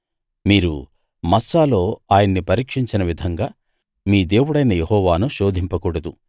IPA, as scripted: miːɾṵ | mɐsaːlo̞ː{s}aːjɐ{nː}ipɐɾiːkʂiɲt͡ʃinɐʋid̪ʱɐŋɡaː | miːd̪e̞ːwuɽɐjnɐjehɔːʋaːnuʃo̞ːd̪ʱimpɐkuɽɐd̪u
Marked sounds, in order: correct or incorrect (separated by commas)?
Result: incorrect, correct